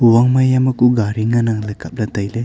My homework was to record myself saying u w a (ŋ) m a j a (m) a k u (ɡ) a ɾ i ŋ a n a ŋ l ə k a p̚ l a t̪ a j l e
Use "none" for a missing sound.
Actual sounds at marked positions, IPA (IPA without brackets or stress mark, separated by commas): ŋ, m, ɡ